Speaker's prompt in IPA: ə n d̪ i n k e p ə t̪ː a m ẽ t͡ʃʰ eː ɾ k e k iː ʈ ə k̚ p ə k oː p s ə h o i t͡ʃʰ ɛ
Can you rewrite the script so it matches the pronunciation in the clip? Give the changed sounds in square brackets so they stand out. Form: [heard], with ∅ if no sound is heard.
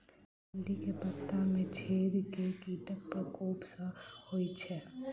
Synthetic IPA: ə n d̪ i [∅] k e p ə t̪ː a m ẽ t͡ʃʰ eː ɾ k e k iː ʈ ə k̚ p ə k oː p s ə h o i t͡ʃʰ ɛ